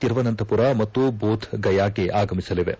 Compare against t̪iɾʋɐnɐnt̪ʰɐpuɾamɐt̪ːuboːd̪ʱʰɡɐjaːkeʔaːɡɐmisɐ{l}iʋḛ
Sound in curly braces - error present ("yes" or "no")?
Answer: no